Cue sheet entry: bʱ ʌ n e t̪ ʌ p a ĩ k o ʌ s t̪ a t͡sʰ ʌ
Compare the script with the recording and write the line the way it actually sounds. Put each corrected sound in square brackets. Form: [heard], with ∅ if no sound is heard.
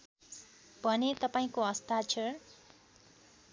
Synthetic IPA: bʱ ʌ n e t̪ ʌ p a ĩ k o ʌ s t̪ a t͡sʰ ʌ